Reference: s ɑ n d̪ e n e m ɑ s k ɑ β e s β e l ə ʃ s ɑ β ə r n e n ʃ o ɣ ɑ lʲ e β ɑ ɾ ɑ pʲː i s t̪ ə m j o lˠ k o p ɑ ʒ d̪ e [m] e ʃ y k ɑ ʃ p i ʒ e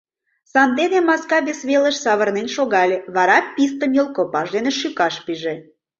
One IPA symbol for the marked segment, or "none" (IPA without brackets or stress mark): n